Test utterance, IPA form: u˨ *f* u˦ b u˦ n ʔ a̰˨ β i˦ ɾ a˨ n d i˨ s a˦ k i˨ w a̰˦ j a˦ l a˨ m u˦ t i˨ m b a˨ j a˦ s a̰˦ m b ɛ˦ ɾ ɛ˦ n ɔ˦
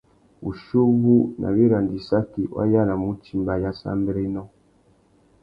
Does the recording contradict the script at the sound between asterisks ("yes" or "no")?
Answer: yes